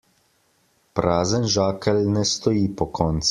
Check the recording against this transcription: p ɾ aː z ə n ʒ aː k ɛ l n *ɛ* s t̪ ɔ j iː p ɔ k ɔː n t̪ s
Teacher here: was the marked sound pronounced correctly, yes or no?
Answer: yes